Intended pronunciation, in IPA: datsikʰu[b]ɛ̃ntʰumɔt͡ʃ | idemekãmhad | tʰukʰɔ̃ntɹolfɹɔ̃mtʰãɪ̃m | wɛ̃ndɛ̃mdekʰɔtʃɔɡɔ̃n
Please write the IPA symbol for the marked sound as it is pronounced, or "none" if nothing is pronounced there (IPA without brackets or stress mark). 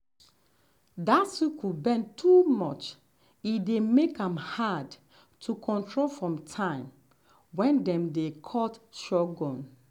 b